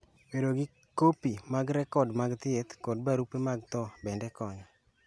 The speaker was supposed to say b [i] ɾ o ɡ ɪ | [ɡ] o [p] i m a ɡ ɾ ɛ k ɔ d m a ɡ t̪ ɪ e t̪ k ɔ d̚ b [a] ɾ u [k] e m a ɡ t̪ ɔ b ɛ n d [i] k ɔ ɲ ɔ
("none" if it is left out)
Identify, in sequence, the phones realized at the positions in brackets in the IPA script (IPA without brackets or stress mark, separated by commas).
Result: e, k, p, a, p, ɛ